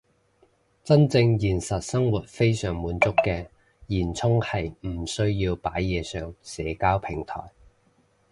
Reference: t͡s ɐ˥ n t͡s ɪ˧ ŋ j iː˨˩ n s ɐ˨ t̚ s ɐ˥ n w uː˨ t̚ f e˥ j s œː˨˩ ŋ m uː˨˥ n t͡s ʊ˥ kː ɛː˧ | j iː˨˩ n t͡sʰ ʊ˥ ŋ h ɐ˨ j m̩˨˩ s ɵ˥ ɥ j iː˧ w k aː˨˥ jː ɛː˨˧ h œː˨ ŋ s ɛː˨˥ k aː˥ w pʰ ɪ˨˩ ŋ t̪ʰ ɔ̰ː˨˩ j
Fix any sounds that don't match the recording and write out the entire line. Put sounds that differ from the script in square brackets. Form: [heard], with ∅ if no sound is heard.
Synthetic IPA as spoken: t͡s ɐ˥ n t͡s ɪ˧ ŋ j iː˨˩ n s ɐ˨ t̚ s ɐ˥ [ŋ] w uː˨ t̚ f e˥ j s œː˨˩ ŋ m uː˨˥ n t͡s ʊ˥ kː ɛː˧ | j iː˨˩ n t͡sʰ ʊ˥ ŋ h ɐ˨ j m̩˨˩ s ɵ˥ ɥ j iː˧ w [p] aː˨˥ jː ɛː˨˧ [s] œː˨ ŋ s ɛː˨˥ k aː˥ w pʰ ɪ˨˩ ŋ t̪ʰ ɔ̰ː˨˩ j